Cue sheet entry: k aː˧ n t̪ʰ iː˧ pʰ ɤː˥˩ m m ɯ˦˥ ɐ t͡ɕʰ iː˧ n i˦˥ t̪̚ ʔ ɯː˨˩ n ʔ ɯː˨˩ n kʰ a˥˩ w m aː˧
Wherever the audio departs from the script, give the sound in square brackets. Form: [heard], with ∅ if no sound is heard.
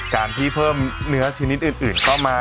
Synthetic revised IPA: k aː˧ n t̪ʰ [iː˥˩] pʰ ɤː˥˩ m [n] ɯ˦˥ ɐ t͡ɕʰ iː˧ n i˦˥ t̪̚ ʔ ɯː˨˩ n ʔ ɯː˨˩ n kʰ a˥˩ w m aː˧